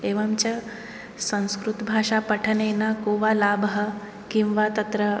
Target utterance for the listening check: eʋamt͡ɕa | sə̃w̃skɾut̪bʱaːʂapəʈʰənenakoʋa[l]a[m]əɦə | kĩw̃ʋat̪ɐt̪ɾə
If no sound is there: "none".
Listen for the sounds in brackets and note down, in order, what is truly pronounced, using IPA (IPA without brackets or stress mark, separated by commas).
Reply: l, b